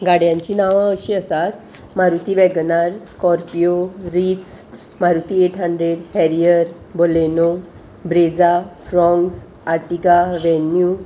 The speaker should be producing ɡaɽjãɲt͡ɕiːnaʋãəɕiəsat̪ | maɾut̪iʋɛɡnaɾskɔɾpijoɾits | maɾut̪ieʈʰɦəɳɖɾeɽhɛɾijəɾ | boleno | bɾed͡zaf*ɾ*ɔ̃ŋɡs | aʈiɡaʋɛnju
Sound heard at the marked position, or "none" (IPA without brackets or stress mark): ɾ